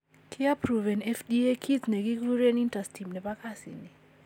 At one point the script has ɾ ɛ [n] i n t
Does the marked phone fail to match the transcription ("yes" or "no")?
no